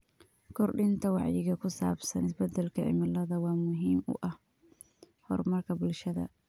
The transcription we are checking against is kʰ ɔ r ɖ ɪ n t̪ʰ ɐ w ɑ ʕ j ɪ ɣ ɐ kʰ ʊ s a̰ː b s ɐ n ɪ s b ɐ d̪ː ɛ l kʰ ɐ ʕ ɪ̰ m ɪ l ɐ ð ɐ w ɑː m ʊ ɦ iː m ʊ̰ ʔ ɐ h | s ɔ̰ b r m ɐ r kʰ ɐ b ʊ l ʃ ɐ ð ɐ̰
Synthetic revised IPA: kʰ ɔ r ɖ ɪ n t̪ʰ ɐ w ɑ ʕ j ɪ ɣ ɐ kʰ ʊ s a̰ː b s ɐ n ɪ s b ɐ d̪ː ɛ l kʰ ɐ ʕ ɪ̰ m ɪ l ɐ ð ɐ w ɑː m ʊ ɦ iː m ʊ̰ ʔ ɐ h | h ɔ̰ r m ɐ r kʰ ɐ b ʊ l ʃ ɐ ð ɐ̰

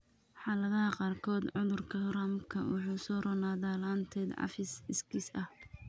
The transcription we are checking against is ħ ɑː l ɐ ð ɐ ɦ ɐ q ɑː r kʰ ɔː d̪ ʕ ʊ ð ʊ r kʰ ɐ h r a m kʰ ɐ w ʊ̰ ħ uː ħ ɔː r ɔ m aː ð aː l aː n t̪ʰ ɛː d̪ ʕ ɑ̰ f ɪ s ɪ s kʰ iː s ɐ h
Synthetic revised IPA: ħ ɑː l ɐ ð ɐ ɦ ɐ q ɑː r kʰ ɔː d̪ ʕ ʊ ð ʊ r kʰ ɐ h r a m kʰ ɐ w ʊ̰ ħ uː s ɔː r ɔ n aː ð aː l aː n t̪ʰ ɛː d̪ ʕ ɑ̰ f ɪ s ɪ s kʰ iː s ɐ h

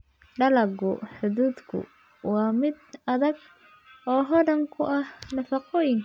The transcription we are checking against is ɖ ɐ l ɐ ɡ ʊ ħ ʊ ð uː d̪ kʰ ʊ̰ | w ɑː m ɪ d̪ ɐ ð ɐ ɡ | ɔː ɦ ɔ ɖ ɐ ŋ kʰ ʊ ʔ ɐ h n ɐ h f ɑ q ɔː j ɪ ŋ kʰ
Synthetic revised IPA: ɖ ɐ l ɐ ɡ ʊ ħ ʊ ð uː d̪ kʰ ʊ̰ | w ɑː m ɪ d̪ ɐ ð ɐ ɡ | ɔː ɦ ɔ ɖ ɐ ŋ kʰ ʊ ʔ ɐ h n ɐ f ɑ q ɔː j ɪ ŋ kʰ

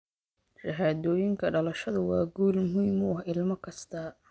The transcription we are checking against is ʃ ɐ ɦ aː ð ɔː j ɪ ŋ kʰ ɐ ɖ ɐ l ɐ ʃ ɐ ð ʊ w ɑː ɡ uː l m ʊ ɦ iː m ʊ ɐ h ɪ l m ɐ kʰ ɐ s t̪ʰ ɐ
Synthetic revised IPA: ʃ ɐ ɦ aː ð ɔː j ɪ ŋ kʰ ɐ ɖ ɐ l ɐ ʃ ɐ ð ʊ w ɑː ɡ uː l m ʊ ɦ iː m ʊ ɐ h ɪ l m ɐ kʰ ɐ s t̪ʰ ɐ

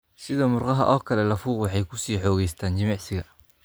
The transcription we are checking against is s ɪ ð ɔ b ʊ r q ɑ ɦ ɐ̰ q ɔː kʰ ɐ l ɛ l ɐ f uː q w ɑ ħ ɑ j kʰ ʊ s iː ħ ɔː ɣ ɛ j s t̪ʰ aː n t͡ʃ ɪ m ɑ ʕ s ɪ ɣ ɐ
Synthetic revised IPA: s ɪ ð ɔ m ʊ r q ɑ ɦ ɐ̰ ʔ ɔː kʰ ɐ l ɛ l ɐ f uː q w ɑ ħ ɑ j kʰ ʊ s iː ħ ɔː ɣ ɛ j s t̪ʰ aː n t͡ʃ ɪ m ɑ ʕ s ɪ ɣ ɐ

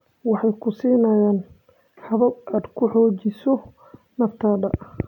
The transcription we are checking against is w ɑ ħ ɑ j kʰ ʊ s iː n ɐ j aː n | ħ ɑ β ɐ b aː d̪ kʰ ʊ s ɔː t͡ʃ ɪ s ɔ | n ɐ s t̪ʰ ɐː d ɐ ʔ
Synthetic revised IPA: w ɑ ħ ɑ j kʰ ʊ s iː n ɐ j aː n | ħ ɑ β ɐ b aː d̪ kʰ ʊ ħ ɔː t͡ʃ ɪ s ɔ | n ɐ f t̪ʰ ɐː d ɐ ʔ

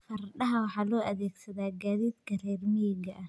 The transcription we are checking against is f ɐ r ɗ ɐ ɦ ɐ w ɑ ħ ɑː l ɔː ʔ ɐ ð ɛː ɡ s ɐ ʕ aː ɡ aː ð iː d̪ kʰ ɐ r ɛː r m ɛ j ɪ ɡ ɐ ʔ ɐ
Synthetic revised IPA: f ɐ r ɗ ɐ ɦ ɐ w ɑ ħ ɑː l ɔː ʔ ɐ ð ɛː ɡ s ɐ ð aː ɡ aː ð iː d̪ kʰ ɐ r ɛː r m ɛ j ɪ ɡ ɐ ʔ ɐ

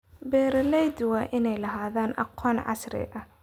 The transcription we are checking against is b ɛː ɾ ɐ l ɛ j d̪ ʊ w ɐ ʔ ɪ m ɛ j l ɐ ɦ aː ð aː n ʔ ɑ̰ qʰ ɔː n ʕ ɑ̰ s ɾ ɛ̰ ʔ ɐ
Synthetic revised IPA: b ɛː ɾ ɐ l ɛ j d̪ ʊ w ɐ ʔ ɪ n ɛ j l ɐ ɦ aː ð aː n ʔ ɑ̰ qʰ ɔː n ʕ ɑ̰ s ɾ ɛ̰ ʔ ɐ

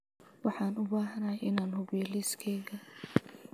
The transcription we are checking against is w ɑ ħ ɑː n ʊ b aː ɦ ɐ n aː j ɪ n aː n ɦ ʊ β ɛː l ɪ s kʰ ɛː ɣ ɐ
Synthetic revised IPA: w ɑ ħ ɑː n ʊ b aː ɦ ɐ n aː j ɪ n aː n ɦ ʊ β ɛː l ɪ s kʰ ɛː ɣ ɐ

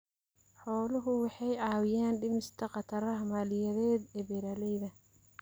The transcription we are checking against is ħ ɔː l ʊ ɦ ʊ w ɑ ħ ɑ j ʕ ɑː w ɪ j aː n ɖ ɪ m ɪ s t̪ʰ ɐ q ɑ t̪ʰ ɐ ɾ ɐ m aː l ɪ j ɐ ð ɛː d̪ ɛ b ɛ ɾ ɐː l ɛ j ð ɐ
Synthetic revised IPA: ħ ɔː l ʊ ɦ ʊ w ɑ ħ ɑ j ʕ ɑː w ɪ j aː n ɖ ɪ m ɪ s t̪ʰ ɐ q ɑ t̪ʰ ɐ ɾ ɐ m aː l ɪ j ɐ ð ɛː d̪ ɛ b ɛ ɾ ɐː l ɛ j ð ɐ

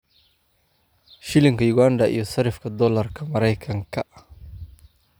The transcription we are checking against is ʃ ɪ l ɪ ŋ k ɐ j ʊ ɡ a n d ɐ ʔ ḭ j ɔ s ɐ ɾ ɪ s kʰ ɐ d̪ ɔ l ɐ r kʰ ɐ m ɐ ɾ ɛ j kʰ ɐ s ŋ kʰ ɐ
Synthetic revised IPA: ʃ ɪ l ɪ ŋ k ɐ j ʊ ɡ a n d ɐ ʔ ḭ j ɔ s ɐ ɾ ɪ f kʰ ɐ d̪ ɔ l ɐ r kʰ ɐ m ɐ ɾ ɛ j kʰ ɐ ŋ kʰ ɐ

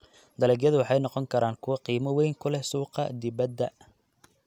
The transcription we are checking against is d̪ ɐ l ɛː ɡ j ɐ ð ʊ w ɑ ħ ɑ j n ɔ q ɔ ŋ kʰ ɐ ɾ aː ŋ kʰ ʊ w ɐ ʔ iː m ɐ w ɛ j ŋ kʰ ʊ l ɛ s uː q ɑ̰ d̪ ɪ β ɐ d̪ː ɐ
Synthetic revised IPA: d̪ ɐ l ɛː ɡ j ɐ ð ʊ w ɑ ħ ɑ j n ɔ q ɔ ŋ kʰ ɐ ɾ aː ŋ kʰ ʊ w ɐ q iː m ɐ w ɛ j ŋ kʰ ʊ l ɛ s uː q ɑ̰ d̪ ɪ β ɐ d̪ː ɐ

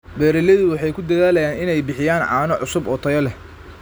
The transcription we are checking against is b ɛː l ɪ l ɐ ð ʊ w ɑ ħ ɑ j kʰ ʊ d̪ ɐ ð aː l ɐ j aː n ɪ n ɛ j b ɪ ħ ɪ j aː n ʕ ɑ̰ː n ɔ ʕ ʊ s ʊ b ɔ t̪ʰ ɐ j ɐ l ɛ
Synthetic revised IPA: b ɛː ɾ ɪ l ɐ ð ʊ w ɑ ħ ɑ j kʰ ʊ d̪ ɐ ð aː l ɐ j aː n ɪ n ɛ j b ɪ ħ ɪ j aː n ʕ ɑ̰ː n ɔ ʕ ʊ s ʊ b ɔ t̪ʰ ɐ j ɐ l ɛ

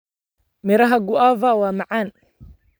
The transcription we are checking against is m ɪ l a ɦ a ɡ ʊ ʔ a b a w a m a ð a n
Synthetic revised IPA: m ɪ ɾ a ɦ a ɡ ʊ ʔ a v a w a m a ʕ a n

